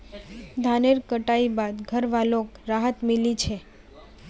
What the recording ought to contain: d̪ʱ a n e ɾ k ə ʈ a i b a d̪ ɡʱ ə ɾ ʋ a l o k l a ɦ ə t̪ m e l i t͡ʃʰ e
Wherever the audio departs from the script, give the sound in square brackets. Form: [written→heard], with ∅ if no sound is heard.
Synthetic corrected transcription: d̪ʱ a n e ɾ k ə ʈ a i b a d̪ ɡʱ ə ɾ ʋ a l o k [l→ɾ] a ɦ ə t̪ m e l i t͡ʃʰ e